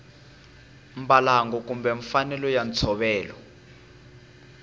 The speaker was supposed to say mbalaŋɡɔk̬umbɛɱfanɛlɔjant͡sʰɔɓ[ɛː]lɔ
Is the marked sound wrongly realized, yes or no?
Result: no